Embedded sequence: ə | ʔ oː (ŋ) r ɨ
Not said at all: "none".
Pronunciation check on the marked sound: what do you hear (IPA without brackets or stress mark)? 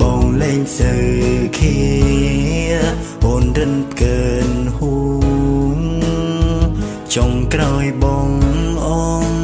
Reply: n